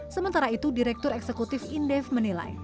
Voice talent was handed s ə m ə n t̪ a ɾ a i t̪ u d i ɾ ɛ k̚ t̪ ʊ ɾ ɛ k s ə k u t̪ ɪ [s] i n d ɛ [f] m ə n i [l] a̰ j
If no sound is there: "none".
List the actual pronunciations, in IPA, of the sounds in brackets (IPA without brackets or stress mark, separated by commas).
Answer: f, f, l